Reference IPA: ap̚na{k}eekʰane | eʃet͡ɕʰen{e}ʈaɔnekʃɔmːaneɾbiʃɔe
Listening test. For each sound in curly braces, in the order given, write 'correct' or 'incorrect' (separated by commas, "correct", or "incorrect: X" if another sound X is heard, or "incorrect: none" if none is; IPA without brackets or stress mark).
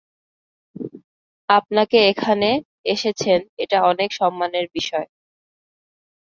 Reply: correct, correct